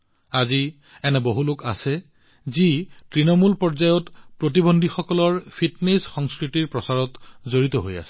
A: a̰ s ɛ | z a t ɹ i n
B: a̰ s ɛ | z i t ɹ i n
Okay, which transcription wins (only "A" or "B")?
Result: B